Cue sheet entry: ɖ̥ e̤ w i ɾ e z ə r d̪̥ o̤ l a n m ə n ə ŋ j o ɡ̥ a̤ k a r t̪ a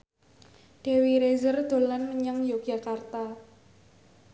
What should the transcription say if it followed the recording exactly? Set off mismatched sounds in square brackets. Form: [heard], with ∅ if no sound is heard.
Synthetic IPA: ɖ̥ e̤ w i ɾ e z ə r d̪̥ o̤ l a n m ə [ɲ] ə ŋ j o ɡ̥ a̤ k a r t̪ a